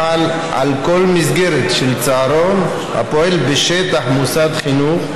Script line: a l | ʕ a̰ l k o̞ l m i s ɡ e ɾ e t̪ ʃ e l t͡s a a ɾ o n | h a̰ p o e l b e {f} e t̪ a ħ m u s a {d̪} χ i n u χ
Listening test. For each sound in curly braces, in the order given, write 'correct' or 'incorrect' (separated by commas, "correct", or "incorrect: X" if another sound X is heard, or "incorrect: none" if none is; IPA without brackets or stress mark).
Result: incorrect: ʃ, correct